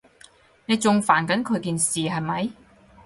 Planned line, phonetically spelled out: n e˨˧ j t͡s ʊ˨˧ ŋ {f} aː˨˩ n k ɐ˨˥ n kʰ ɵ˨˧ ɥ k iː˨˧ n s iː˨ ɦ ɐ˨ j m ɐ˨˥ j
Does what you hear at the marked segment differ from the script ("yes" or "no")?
no